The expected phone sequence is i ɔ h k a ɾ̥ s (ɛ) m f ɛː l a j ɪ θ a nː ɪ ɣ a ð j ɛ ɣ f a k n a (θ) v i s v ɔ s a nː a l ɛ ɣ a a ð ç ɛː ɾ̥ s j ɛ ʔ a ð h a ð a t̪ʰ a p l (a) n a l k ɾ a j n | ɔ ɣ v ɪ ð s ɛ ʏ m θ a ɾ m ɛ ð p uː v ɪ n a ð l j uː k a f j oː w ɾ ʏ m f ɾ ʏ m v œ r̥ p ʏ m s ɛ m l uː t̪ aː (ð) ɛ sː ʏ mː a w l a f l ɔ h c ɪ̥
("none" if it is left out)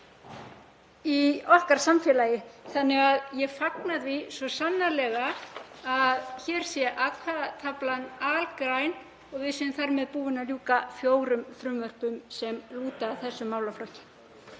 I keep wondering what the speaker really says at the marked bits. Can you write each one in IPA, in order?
a, ð, a, θ

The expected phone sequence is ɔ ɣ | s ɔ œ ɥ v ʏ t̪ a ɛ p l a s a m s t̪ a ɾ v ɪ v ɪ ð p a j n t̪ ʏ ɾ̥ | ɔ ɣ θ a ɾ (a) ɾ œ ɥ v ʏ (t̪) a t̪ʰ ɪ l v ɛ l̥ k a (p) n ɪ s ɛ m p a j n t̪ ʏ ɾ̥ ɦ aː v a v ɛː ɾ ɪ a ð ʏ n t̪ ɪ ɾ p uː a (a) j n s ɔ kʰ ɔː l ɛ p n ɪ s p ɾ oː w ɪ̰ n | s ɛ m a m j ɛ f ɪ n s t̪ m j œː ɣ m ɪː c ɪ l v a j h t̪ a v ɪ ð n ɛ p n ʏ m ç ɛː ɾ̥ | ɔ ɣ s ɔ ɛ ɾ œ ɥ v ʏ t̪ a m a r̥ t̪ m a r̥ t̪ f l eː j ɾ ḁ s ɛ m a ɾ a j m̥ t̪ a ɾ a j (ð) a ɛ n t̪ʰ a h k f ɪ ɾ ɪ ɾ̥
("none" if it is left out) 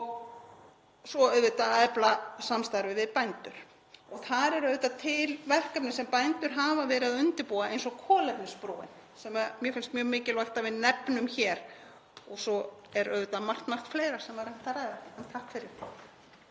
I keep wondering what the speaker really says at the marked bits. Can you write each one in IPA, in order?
ɛ, t̪, p, e, ð

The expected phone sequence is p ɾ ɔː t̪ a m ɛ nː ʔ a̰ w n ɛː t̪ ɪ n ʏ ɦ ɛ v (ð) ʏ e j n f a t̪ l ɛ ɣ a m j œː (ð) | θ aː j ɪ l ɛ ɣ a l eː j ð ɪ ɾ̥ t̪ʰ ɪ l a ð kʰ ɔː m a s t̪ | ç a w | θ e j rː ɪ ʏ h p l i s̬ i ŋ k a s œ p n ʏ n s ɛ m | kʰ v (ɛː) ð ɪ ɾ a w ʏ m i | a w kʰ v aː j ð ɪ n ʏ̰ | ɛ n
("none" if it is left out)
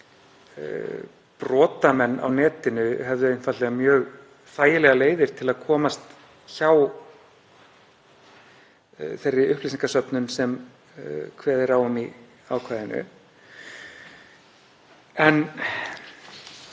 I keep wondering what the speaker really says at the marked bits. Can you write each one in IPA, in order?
ð, ɣ, ɛː

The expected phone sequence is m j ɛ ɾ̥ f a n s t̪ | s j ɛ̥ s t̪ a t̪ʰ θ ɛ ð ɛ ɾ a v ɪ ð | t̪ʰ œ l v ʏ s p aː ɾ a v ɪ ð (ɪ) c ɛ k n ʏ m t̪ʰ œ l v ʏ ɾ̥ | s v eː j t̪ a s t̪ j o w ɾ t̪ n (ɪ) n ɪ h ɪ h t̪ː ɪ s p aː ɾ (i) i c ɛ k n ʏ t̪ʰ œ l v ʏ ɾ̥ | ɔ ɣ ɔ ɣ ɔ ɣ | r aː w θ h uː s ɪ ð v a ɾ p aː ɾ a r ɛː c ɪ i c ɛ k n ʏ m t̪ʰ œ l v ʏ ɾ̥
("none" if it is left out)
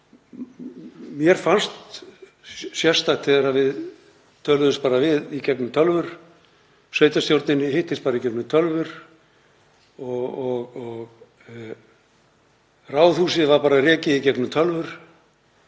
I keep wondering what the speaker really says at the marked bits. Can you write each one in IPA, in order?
i, ɪ, a

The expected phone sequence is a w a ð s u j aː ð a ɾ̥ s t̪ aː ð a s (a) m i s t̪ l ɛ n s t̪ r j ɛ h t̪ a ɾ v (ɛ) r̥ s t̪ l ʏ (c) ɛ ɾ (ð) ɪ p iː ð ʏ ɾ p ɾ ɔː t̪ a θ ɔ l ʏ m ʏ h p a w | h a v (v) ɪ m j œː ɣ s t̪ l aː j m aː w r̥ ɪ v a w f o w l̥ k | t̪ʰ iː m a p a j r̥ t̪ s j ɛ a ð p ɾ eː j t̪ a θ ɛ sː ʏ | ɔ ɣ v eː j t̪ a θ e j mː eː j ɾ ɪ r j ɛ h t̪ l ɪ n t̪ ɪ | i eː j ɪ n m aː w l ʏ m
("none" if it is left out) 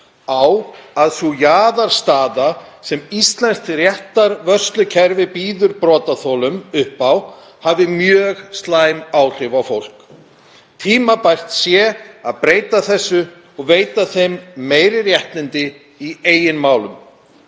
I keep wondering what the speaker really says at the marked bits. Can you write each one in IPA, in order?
ɛ, œ, cʰ, v, ð

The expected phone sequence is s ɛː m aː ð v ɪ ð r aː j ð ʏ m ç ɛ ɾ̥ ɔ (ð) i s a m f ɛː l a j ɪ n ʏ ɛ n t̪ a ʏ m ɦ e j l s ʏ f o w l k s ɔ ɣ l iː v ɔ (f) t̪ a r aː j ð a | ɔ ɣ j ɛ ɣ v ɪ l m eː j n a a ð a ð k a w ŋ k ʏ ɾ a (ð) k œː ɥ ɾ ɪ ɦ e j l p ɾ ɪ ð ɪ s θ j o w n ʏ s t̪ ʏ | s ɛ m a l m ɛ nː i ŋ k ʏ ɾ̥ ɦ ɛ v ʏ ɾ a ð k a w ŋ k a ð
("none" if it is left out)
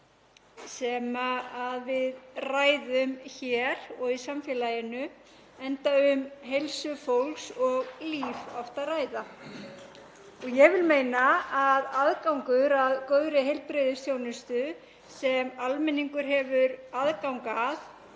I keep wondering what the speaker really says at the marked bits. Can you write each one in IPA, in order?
ɣ, f, ð

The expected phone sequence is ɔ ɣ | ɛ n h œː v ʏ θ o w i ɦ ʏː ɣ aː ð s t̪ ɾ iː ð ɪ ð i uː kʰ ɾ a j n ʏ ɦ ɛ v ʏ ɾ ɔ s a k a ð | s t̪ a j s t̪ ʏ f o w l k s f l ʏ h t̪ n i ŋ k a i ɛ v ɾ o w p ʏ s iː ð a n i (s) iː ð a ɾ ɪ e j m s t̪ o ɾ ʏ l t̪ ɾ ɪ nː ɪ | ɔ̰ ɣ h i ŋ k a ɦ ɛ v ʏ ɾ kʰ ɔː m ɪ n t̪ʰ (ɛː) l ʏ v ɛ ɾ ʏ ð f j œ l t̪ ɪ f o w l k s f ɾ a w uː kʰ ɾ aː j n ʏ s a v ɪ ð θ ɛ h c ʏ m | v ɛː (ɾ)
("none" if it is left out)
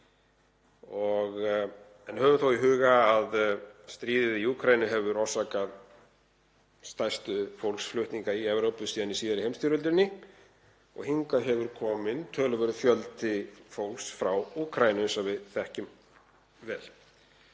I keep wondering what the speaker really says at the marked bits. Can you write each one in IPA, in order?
s, œː, l

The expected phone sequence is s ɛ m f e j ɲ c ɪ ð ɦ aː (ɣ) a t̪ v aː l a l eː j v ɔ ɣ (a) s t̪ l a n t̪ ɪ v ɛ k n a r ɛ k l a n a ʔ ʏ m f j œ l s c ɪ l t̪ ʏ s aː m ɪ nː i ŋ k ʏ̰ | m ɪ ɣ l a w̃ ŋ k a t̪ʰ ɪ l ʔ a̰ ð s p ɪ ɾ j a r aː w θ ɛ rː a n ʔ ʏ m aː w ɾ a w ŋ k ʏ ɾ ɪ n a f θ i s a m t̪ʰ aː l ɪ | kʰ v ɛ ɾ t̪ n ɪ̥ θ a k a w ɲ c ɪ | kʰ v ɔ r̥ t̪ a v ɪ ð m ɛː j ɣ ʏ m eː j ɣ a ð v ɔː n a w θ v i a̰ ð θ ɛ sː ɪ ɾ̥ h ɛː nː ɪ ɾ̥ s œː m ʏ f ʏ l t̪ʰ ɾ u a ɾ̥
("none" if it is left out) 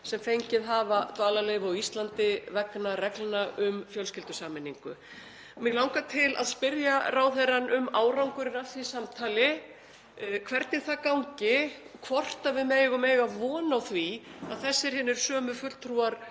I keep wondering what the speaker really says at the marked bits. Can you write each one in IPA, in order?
v, i

